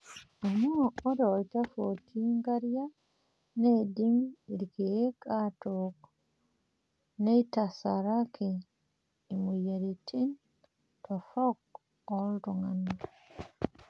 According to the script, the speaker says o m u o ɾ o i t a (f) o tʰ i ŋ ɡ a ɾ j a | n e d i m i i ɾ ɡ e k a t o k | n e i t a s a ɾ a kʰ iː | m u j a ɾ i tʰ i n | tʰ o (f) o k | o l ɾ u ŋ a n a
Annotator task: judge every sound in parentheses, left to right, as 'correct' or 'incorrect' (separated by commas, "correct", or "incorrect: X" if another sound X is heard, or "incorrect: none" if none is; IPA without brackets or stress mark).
correct, correct